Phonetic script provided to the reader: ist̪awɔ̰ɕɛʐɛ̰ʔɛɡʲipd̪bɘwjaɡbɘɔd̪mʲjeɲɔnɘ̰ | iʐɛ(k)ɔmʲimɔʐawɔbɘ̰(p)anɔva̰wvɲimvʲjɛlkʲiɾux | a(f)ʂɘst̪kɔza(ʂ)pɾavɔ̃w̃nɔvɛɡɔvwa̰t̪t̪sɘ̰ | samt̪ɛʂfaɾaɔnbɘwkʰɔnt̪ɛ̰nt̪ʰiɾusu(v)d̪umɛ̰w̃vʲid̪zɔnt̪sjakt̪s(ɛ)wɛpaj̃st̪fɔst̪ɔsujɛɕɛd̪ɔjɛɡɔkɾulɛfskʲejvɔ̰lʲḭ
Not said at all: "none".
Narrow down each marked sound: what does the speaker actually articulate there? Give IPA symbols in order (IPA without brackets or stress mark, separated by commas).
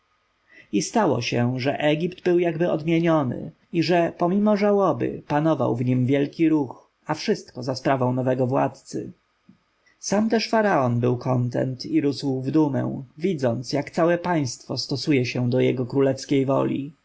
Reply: p, p, f, s, v, a